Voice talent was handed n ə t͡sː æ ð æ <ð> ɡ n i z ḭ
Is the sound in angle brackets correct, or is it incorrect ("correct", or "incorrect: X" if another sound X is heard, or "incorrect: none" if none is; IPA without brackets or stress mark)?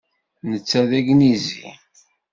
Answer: incorrect: none